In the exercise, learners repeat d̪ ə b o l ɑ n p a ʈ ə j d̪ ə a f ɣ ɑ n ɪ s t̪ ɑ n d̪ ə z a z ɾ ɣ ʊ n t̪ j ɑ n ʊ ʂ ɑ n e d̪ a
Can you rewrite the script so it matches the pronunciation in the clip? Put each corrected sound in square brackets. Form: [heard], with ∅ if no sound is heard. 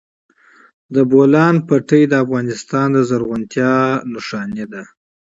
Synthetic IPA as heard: d̪ ə b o l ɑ n p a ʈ ə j d̪ ə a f ɣ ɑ n ɪ s t̪ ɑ n d̪ ə z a [∅] ɾ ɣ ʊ n t̪ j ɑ n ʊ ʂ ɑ n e d̪ a

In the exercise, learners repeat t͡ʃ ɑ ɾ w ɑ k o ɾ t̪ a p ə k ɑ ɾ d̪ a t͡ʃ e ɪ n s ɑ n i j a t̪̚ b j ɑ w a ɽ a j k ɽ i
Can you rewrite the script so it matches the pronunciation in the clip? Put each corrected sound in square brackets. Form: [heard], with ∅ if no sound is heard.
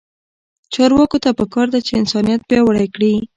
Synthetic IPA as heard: t͡ʃ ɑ ɾ w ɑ k o [∅] t̪ a p ə k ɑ ɾ d̪ a t͡ʃ e ɪ n s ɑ n i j a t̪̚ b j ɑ w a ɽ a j k ɽ i

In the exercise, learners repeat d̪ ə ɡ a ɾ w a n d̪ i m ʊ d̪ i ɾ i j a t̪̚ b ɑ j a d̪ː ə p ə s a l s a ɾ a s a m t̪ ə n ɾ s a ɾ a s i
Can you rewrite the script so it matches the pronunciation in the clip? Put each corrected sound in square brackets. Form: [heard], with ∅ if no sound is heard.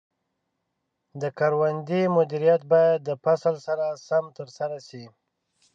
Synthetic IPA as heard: d̪ ə [k] a ɾ w a n d̪ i m ʊ d̪ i ɾ i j a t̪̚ b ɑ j a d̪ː ə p [a] s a l s a ɾ a s a m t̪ ə [∅] ɾ s a ɾ a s i

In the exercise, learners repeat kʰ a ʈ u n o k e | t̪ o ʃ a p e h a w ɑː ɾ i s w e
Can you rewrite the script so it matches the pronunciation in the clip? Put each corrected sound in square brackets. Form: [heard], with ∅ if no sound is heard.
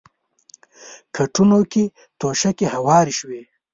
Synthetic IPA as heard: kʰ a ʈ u n o k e | t̪ o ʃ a [k] e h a w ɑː ɾ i [ʃ] w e

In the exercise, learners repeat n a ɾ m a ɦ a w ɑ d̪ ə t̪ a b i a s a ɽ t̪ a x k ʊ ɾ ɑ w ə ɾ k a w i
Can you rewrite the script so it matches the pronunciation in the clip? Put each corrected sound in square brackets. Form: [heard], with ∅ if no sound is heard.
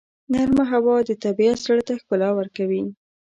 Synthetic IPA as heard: n a ɾ m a ɦ a w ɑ d̪ ə t̪ a b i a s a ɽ t̪ a x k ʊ [l] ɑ w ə ɾ k a w i

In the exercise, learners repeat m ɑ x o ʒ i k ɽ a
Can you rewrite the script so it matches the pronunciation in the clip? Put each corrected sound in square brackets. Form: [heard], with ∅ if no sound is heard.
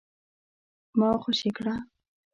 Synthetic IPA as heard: m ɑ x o [ʃ] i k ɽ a

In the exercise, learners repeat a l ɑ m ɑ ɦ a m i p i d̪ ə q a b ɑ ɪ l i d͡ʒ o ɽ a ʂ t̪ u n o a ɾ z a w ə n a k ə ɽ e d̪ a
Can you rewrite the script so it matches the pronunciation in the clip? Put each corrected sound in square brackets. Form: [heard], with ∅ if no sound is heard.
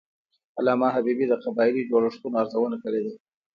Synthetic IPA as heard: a l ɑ m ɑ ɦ a [b] i [b] i d̪ ə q a b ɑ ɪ l i d͡ʒ o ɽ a ʂ t̪ u n o a ɾ z a w ə n a k ə ɽ e d̪ a

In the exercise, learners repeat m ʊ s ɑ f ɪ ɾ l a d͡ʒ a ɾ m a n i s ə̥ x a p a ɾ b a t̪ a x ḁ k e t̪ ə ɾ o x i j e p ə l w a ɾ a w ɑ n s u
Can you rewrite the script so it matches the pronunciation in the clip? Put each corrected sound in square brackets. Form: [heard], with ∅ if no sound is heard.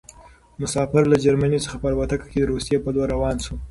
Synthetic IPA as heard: m ʊ s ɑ f ɪ ɾ l a d͡ʒ a ɾ m a n i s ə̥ x a p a ɾ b a t̪ a [k] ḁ k e [d̪] ə ɾ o [s] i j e p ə l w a ɾ a w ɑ n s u

